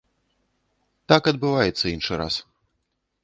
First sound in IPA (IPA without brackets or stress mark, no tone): t̪